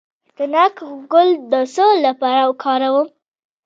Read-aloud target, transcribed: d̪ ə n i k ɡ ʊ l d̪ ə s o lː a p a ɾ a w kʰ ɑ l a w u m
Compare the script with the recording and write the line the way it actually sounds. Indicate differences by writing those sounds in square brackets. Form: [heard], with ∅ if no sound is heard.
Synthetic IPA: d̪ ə n [a] k ɡ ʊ l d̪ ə s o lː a p a ɾ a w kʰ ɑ [ɾ] a w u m